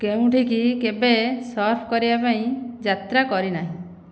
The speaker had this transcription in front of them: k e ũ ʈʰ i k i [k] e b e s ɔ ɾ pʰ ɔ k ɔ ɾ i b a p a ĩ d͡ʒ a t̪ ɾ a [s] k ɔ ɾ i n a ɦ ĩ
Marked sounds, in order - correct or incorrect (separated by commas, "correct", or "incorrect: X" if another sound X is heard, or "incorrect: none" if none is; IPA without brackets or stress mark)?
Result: correct, incorrect: none